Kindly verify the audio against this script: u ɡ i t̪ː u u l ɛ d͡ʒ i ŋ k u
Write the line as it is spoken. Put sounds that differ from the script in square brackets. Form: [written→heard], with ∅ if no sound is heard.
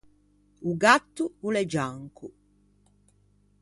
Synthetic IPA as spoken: u ɡ [i→a] t̪ː u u l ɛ d͡ʒ [i→a] ŋ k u